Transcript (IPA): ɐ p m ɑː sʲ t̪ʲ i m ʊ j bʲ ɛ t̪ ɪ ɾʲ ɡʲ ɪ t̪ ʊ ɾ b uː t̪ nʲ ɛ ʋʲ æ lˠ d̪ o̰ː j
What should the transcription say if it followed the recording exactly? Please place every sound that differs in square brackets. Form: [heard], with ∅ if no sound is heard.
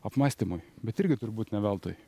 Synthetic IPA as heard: ɐ p m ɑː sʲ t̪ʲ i m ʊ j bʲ ɛ t̪ ɪ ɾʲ ɡʲ ɪ t̪ ʊ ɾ b uː t̪ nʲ ɛ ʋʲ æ lˠ [t̪] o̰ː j